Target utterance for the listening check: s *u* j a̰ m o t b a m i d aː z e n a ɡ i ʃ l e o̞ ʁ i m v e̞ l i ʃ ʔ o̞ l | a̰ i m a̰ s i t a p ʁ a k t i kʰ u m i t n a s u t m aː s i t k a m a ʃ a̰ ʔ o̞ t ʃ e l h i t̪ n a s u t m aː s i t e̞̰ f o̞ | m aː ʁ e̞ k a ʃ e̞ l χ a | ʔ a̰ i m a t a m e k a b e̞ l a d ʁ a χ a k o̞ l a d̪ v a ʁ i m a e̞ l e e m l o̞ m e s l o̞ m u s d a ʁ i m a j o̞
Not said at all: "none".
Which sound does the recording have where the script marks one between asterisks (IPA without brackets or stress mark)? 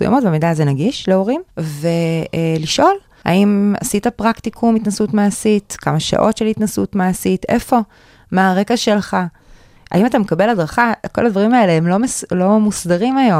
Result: u